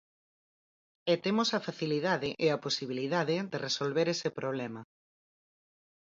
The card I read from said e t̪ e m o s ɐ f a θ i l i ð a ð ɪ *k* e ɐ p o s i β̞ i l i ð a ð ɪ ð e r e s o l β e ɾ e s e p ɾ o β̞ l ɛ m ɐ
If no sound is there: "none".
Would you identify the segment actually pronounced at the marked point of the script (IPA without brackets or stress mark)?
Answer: ʔ